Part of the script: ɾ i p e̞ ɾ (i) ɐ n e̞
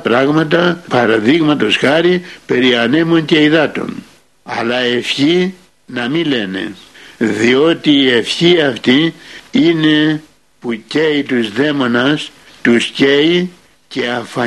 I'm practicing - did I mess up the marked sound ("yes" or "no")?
no